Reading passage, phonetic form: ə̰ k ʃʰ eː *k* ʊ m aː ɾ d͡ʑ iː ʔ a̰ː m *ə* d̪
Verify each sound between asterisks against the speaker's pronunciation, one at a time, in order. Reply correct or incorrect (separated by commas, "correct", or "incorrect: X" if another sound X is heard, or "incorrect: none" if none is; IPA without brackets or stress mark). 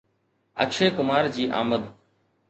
correct, correct